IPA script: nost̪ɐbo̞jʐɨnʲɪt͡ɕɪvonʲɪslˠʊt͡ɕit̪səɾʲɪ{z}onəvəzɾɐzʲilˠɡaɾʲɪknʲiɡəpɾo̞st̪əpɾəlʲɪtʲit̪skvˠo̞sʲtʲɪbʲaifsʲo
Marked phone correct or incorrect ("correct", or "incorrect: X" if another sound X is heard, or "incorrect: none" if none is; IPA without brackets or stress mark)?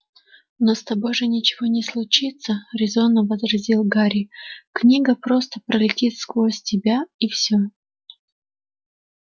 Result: correct